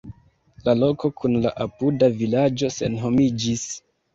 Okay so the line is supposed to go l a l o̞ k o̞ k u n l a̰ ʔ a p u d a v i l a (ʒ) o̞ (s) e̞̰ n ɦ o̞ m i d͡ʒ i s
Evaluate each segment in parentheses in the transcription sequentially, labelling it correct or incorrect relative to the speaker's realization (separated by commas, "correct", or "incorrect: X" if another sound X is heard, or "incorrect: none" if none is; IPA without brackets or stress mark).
incorrect: d͡ʒ, correct